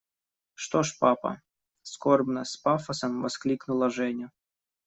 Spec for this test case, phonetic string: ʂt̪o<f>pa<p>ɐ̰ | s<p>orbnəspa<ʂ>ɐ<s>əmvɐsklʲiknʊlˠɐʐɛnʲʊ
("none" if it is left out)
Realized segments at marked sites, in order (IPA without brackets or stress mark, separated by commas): ʂ, p, k, f, s